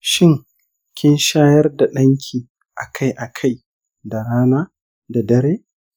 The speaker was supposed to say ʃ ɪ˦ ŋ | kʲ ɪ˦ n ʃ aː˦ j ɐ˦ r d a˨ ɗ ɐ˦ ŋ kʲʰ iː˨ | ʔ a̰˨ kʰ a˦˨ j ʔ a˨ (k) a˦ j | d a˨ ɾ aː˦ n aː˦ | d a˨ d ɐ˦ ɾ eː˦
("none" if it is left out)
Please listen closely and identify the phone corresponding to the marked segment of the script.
kʰ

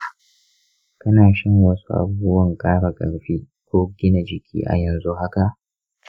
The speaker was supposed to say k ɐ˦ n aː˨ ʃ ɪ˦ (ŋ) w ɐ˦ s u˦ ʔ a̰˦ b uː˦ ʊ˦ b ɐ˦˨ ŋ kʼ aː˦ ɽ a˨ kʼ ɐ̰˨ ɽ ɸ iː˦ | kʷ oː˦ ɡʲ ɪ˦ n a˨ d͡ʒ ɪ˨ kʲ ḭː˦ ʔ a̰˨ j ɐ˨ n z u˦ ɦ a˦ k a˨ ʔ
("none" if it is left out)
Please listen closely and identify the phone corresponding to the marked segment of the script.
ŋ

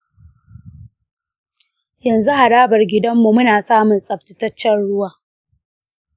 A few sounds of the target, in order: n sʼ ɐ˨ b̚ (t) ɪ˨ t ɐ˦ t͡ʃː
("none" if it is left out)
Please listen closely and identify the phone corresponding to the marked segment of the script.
t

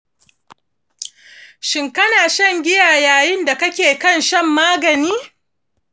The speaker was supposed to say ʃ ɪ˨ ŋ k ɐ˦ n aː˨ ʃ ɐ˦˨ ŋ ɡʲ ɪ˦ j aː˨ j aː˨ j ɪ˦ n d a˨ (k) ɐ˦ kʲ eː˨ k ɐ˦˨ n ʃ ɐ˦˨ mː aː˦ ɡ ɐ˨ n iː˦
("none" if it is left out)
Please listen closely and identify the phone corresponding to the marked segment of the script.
k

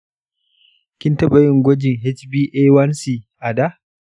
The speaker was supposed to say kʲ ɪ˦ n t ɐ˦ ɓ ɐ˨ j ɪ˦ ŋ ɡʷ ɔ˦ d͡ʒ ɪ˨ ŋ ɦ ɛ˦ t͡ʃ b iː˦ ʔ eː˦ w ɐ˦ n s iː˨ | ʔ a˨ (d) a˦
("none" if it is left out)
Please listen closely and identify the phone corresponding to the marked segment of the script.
d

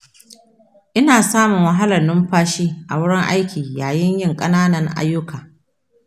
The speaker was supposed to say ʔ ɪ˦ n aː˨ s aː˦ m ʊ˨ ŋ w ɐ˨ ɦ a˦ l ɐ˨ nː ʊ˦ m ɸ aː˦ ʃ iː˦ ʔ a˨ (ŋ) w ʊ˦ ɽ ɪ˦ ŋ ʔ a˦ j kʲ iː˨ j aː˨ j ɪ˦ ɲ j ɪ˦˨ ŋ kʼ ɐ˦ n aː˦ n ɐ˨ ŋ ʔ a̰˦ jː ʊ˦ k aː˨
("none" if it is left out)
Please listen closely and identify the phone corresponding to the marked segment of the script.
none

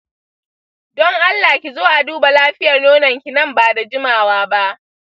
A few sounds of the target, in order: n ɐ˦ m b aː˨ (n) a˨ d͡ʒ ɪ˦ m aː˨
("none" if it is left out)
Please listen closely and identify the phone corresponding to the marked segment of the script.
d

